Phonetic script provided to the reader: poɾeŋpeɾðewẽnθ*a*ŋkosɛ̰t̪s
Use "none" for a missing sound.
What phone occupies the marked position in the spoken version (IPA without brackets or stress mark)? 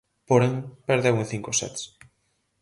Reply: i